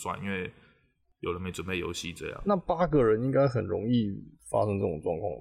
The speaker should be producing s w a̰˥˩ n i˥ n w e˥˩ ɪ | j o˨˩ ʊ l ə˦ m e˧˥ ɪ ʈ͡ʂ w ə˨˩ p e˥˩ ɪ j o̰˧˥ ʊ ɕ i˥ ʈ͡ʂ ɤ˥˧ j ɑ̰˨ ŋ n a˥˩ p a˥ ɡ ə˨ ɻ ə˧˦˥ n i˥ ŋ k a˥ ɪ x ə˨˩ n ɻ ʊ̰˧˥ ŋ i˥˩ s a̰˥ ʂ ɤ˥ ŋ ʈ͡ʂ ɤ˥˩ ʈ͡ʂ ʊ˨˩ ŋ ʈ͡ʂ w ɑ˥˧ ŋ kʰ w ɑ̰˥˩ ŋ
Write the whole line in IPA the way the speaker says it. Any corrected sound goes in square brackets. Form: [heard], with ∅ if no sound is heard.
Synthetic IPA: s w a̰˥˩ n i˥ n w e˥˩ ɪ | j o˨˩ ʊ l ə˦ m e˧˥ ɪ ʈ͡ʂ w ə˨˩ p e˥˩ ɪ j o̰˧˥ ʊ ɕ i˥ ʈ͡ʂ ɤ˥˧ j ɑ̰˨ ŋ n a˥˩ p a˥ ɡ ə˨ ɻ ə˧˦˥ n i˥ ŋ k a˥ ɪ x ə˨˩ n ɻ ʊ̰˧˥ ŋ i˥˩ [f] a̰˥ ʂ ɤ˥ ŋ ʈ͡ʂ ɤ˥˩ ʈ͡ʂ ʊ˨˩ ŋ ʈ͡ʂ w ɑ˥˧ ŋ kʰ w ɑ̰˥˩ ŋ